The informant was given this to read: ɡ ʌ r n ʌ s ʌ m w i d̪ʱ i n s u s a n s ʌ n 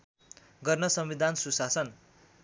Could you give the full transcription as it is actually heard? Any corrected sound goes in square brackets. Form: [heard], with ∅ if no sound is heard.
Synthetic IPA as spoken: ɡ ʌ r n ʌ s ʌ m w i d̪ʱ [a] n s u s a [∅] s ʌ n